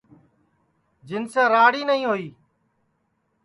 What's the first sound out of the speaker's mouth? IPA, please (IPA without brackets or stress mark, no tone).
d͡ʒ